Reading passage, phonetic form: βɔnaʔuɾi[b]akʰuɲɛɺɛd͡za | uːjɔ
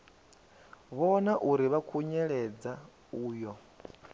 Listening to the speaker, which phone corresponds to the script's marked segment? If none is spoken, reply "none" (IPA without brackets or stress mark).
β